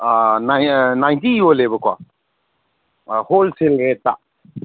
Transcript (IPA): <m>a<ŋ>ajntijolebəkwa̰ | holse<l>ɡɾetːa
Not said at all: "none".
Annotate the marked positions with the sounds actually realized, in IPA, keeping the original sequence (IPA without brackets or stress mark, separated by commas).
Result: n, n, l